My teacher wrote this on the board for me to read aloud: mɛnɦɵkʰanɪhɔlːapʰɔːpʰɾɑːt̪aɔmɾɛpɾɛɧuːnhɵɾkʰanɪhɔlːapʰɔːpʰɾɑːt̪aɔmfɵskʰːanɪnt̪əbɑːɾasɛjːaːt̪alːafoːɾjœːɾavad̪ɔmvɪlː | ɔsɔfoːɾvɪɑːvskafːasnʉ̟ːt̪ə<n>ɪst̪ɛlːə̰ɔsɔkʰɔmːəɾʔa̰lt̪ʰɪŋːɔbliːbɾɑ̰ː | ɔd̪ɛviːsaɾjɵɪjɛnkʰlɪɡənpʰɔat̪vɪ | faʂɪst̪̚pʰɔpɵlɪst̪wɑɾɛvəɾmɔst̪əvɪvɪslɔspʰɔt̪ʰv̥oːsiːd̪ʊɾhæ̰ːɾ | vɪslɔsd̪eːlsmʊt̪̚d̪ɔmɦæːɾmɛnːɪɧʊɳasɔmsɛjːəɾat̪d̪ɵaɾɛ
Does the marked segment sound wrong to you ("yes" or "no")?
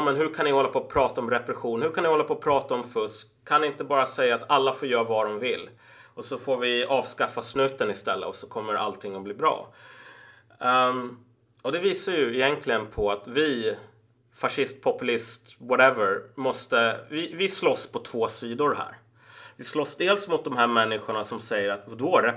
no